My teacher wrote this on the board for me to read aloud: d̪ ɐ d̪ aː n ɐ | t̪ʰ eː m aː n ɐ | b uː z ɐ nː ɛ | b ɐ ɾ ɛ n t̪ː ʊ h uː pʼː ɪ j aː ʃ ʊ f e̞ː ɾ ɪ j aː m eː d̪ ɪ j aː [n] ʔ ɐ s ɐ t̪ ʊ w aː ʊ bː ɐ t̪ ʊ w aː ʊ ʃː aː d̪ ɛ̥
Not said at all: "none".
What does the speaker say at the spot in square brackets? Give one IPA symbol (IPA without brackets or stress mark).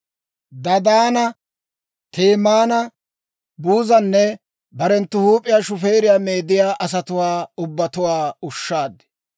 none